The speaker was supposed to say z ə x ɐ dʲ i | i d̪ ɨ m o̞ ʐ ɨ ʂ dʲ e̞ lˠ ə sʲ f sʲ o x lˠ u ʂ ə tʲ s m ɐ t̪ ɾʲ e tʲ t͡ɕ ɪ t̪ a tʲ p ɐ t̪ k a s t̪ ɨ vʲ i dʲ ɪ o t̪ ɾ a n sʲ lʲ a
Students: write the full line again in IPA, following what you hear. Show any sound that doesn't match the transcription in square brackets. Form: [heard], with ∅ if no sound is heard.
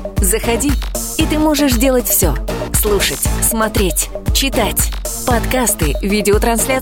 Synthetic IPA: z ə x ɐ dʲ i | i [t̪] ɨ m o̞ ʐ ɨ ʂ dʲ e̞ lˠ ə [tʲ] f sʲ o [s] lˠ u ʂ ə tʲ s m ɐ t̪ ɾʲ e tʲ t͡ɕ ɪ t̪ a tʲ p ɐ t̪ k a s t̪ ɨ vʲ i dʲ ɪ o t̪ ɾ [ɐ] n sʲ lʲ a